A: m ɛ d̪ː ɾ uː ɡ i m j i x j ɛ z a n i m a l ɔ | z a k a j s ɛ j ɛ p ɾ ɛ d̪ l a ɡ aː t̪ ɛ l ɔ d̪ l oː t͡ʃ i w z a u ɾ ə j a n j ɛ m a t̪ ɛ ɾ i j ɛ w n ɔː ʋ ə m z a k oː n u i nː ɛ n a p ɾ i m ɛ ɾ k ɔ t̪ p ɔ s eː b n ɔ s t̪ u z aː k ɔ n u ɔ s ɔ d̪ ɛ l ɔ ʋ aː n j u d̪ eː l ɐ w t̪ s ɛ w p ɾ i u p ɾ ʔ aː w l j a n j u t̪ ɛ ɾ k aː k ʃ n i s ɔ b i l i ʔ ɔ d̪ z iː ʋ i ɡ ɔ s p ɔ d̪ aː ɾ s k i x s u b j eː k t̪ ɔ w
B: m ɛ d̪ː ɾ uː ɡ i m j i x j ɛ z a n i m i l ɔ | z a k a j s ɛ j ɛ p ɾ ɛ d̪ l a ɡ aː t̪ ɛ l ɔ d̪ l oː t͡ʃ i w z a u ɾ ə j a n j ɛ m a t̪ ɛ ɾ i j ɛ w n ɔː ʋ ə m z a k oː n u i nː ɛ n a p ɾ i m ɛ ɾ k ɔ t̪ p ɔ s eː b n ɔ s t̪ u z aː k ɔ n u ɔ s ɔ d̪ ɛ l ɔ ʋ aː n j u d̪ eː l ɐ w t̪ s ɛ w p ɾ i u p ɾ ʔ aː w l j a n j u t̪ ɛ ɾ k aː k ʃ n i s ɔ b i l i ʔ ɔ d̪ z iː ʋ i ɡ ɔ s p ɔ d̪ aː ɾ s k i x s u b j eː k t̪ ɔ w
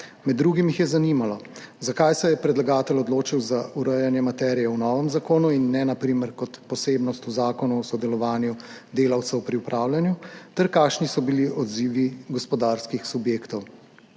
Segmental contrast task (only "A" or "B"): A